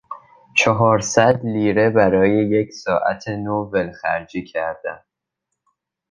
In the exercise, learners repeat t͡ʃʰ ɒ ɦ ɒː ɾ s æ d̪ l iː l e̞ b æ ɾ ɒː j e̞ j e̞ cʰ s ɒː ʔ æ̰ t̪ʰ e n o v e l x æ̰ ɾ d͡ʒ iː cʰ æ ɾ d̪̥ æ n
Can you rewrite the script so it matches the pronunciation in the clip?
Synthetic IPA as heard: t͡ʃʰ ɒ ɦ ɒː ɾ s æ d̪ l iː ɾ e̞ b æ ɾ ɒː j e̞ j e̞ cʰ s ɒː ʔ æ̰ t̪ʰ e n o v e l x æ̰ ɾ d͡ʒ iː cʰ æ ɾ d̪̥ æ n